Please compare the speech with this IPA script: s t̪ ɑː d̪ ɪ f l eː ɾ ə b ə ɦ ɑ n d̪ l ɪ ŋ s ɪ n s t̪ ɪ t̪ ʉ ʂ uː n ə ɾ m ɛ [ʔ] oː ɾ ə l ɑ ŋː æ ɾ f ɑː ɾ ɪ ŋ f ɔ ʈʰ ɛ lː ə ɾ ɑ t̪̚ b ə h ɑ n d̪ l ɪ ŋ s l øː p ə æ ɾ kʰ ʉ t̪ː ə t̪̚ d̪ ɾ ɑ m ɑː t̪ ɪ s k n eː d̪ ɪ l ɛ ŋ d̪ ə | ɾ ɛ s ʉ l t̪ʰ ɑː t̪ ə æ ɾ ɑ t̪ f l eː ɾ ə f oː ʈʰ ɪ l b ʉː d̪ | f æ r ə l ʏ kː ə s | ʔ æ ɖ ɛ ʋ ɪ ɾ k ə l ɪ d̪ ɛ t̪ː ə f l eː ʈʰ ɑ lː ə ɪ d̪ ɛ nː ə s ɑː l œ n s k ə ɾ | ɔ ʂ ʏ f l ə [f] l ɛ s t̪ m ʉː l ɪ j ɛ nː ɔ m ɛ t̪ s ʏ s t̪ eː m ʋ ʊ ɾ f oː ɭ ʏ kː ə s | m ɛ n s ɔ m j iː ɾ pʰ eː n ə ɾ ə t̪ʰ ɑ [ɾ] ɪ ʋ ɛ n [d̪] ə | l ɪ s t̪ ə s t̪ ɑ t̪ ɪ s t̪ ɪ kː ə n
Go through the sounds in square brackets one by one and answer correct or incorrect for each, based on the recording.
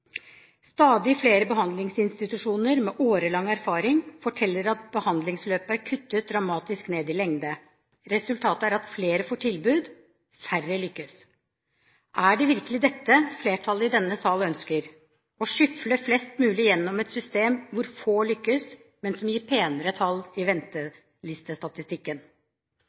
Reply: correct, correct, incorrect: l, incorrect: t̪

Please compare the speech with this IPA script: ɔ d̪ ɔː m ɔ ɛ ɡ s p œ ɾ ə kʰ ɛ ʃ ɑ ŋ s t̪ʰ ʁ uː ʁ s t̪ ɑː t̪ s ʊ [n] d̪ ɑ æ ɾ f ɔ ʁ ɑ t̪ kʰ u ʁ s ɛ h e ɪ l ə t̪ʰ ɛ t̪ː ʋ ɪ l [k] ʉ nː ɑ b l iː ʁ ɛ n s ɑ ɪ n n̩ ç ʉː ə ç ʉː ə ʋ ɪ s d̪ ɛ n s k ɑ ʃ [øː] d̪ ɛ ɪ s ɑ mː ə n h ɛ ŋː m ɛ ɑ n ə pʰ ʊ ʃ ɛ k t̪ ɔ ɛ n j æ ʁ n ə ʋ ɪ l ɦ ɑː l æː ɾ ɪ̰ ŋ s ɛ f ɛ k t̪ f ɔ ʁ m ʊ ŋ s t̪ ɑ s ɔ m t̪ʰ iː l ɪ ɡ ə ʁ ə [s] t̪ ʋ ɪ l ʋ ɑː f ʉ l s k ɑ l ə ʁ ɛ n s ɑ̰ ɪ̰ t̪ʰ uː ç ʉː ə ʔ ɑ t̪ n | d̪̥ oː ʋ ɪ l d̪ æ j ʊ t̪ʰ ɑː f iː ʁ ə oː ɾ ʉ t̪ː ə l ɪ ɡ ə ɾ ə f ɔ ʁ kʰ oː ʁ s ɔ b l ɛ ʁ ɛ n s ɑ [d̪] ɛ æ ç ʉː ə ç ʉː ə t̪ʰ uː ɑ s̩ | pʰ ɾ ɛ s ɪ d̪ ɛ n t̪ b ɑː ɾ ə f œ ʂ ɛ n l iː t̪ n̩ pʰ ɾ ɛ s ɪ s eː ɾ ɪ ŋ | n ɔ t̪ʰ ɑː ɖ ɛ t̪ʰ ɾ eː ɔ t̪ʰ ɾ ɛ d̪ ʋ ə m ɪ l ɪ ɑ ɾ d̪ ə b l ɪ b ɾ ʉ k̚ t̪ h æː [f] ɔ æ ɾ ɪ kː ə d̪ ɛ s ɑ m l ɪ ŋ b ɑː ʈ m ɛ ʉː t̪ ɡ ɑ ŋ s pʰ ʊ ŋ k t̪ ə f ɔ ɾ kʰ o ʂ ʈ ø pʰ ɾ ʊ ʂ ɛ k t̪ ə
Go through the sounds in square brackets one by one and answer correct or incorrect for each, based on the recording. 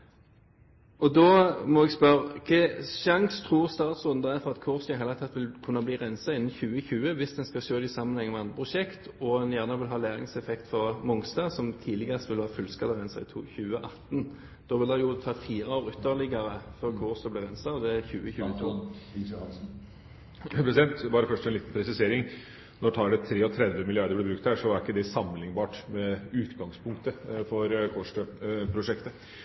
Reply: correct, incorrect: kʰ, correct, correct, correct, incorrect: ʂ

